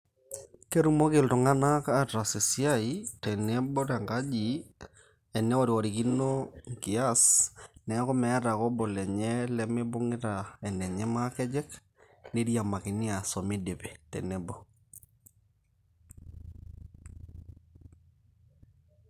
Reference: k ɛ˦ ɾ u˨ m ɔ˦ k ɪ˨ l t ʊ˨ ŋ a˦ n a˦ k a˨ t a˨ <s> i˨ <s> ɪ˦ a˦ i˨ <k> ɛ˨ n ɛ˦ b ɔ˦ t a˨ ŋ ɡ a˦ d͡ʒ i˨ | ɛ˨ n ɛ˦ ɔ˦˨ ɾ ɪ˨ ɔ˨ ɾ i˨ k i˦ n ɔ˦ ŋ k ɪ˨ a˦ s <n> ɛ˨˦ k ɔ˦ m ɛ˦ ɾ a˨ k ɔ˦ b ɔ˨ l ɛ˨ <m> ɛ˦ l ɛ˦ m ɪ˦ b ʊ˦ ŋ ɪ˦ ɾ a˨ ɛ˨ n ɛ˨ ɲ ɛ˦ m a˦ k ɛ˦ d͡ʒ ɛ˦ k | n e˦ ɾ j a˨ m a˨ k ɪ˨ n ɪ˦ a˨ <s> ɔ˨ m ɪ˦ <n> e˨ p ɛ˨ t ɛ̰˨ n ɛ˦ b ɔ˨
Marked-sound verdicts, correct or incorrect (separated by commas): correct, correct, incorrect, correct, incorrect, correct, incorrect